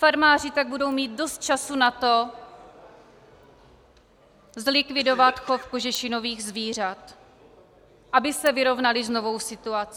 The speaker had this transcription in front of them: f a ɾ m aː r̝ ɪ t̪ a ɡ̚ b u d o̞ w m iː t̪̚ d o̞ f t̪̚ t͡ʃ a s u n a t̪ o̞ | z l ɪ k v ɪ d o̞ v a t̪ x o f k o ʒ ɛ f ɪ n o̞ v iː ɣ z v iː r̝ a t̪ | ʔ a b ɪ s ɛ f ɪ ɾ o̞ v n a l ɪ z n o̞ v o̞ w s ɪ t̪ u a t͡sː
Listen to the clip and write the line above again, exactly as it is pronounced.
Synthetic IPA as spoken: f a ɾ m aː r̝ ɪ t̪ a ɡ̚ b u d o̞ w m iː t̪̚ d o̞ s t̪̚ t͡ʃ a s u n a t̪ o̞ | z l ɪ k v ɪ d o̞ v a t̪ x o f k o ʒ ɛ ʃ ɪ n o̞ v iː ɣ z v iː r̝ a t̪ | ʔ a b ɪ s ɛ v ɪ ɾ o̞ v n a l ɪ z n o̞ v o̞ w s ɪ t̪ u a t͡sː